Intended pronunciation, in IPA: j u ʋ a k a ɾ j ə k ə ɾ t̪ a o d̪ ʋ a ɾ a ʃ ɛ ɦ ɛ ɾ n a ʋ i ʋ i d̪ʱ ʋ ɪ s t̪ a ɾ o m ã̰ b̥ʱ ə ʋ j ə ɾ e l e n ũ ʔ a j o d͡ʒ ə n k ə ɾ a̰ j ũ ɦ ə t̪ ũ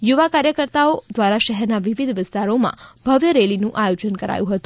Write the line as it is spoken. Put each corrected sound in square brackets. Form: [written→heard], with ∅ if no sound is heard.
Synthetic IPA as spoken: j u ʋ a k a ɾ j ə k ə ɾ t̪ a o d̪ ʋ a ɾ a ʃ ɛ ɦ ɛ ɾ n a ʋ i ʋ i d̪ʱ ʋ ɪ s t̪ a ɾ o m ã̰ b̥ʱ ə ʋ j ə ɾ e l [e→i] n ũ ʔ a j o d͡ʒ ə n k ə ɾ a̰ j ũ ɦ ə t̪ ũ